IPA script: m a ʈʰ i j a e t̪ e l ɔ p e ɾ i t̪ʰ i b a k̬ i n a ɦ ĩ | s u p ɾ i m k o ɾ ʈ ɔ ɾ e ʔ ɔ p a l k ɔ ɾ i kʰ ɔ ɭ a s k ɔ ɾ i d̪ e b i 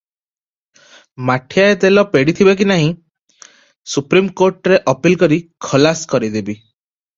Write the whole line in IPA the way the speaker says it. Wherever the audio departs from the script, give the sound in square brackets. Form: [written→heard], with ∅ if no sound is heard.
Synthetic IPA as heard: m a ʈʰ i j a e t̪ e l ɔ p e [ɾ→ɽ] i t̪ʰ i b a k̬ i n a ɦ ĩ | s u p ɾ i m k o ɾ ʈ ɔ ɾ e ʔ ɔ p [a→i] l k ɔ ɾ i kʰ ɔ [ɭ→l] a s k ɔ ɾ i d̪ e b i